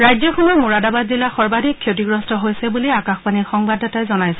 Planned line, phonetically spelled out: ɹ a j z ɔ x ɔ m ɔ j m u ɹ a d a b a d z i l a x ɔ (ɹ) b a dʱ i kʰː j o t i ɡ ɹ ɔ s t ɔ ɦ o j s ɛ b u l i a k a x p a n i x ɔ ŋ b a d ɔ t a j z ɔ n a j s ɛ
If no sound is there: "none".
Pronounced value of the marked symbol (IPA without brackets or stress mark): ɹ